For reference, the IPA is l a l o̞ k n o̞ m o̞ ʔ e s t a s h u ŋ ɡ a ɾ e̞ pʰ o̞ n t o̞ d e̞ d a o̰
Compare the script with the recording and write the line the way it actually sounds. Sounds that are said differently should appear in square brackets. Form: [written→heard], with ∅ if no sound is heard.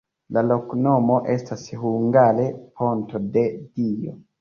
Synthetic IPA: l a l o̞ k n o̞ m o̞ ʔ e s t a s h u ŋ ɡ a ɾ e̞ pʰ o̞ n t o̞ d e̞ d [a→i] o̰